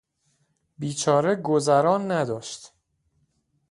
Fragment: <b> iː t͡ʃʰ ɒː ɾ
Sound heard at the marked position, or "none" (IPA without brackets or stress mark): b